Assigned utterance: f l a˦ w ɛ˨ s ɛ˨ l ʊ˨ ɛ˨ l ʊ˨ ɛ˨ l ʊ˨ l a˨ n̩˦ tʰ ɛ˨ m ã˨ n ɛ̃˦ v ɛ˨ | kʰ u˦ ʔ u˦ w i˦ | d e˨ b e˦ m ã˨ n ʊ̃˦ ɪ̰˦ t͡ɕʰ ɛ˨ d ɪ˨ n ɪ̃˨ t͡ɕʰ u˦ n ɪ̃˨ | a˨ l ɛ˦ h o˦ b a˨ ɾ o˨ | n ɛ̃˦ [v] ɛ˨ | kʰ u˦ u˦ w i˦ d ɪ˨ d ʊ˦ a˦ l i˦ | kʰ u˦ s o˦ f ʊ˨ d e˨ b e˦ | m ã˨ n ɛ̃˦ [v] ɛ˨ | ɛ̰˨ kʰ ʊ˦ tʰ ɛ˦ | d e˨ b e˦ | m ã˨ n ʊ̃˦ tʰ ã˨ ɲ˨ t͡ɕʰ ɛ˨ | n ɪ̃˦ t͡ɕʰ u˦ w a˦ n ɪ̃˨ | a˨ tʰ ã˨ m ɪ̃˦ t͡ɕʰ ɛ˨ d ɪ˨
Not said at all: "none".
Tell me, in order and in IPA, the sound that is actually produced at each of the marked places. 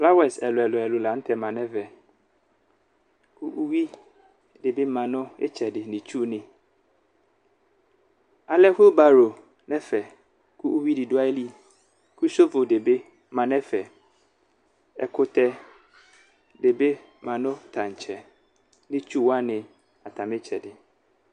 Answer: f, f

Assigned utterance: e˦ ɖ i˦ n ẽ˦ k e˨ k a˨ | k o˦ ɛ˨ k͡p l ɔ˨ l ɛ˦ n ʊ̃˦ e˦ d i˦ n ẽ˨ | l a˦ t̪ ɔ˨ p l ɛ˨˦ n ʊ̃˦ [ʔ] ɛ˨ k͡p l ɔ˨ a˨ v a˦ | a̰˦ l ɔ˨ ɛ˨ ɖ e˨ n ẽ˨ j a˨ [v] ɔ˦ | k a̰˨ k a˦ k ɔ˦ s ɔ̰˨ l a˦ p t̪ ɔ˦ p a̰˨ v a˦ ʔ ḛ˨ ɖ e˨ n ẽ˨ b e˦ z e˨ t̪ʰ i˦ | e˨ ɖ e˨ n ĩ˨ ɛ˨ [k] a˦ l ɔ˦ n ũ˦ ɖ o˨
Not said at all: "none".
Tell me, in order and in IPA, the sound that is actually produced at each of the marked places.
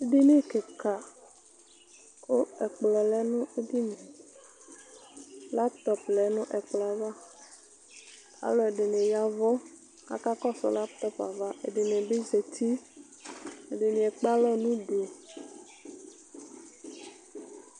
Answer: ʔ, v, k͡p

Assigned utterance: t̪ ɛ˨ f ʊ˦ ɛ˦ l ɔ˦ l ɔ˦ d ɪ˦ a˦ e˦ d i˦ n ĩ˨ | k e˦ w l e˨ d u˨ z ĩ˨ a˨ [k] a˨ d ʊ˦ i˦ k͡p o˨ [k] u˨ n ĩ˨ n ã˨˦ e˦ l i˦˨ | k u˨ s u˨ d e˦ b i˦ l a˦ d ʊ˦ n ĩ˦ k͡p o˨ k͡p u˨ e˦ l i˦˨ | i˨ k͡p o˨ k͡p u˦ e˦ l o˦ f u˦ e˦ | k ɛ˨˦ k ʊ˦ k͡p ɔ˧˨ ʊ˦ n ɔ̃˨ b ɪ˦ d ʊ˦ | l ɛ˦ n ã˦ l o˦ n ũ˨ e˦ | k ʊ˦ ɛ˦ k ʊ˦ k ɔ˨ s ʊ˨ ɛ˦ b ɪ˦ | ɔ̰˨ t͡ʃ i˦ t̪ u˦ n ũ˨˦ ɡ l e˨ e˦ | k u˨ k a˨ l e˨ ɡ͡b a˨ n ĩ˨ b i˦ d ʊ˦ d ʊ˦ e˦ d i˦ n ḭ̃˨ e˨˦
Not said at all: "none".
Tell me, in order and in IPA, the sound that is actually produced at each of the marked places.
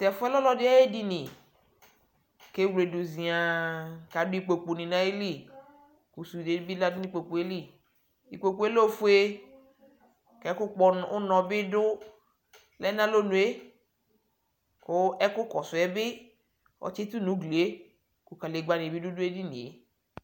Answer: k, k͡p

